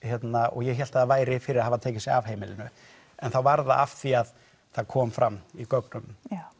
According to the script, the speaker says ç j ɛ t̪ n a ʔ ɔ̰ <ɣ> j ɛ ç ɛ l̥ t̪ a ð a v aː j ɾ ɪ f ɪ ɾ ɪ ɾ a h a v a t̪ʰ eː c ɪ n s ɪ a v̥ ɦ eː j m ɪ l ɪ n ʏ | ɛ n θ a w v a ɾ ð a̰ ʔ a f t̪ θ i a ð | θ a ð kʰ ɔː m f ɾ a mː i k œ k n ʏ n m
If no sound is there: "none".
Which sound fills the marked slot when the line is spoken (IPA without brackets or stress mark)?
ɣ